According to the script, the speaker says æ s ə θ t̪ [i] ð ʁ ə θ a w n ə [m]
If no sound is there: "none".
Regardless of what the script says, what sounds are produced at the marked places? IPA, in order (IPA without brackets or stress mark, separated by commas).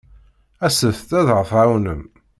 æ, m